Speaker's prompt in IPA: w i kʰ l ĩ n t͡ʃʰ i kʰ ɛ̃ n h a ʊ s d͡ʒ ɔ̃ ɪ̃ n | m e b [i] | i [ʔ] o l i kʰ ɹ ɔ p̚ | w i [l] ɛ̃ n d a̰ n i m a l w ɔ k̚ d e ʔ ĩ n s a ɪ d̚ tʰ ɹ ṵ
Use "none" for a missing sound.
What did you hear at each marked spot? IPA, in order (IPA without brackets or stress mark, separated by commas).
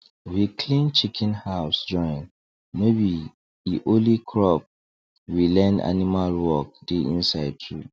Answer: i, ʔ, l